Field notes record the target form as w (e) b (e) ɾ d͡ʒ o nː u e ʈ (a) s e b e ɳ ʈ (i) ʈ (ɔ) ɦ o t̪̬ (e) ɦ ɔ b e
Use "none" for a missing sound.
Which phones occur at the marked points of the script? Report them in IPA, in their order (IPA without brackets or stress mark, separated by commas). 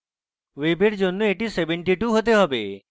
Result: e, e, i, i, u, e